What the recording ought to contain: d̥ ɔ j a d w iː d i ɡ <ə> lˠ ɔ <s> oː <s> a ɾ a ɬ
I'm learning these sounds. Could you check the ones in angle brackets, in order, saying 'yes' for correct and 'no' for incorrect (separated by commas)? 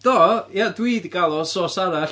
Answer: no, yes, yes